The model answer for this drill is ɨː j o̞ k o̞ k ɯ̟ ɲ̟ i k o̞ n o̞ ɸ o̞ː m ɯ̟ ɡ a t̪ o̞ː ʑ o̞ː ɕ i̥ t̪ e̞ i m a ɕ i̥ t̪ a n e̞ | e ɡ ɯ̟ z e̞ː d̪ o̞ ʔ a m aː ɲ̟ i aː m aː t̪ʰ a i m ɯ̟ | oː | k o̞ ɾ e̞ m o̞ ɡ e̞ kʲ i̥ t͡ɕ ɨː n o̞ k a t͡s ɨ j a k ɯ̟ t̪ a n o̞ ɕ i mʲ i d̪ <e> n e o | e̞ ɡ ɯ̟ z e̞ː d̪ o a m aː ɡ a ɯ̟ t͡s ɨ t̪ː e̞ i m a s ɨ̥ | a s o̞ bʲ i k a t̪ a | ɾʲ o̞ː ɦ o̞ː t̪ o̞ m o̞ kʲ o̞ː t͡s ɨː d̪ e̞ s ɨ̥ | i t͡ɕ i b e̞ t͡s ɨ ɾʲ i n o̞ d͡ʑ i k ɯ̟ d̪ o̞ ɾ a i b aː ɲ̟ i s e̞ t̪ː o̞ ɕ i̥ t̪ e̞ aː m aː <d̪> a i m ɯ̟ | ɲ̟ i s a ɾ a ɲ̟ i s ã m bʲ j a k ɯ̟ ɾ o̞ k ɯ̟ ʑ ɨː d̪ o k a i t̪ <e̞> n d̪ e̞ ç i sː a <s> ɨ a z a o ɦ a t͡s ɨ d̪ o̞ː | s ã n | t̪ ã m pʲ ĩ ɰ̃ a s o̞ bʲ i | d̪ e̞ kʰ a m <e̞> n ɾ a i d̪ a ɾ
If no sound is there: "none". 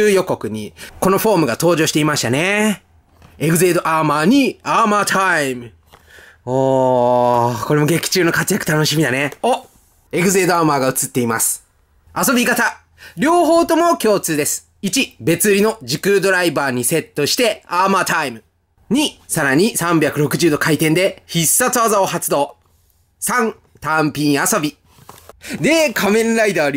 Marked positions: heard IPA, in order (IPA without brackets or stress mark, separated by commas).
a, t̪, ẽ̞, t͡s, ẽ̞